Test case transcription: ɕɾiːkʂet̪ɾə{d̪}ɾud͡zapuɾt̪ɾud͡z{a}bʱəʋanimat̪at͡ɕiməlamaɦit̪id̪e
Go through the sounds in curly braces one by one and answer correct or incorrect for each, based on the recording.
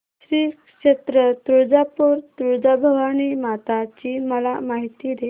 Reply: incorrect, correct

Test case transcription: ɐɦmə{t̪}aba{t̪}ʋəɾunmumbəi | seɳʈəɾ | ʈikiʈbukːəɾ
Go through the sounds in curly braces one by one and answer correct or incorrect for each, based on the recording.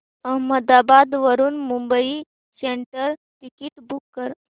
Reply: incorrect, incorrect

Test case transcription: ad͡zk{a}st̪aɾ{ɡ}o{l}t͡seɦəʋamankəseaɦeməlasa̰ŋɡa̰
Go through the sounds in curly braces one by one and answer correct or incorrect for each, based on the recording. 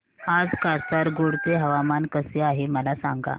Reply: correct, correct, incorrect

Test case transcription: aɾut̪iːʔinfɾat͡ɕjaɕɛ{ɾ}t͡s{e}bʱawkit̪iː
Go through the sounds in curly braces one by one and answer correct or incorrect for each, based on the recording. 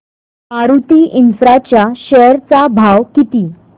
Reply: correct, incorrect

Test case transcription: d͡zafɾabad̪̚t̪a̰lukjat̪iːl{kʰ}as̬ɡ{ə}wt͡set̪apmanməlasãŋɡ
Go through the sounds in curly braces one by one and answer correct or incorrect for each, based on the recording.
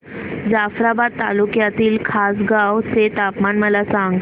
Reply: correct, incorrect

